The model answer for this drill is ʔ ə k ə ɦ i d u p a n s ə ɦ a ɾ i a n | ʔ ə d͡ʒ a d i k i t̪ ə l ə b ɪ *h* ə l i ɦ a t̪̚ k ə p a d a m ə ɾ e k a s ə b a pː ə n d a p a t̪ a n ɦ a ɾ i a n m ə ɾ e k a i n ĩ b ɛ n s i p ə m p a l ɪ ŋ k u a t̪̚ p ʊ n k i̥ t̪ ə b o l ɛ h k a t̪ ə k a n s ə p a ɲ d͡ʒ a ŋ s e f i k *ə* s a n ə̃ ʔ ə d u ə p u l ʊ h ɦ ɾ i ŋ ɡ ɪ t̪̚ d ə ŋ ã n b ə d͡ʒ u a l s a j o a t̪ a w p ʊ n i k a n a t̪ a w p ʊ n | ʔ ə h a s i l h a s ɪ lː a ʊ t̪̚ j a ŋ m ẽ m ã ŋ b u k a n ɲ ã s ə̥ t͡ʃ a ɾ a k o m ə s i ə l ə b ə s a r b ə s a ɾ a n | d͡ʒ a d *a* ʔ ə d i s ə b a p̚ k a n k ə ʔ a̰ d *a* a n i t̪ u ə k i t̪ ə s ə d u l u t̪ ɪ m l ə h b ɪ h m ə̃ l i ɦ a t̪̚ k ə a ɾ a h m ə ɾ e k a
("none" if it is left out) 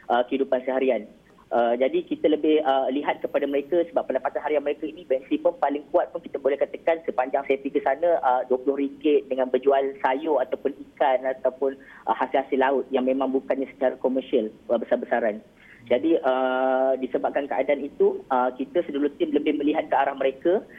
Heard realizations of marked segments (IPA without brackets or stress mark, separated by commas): h, ə, i, a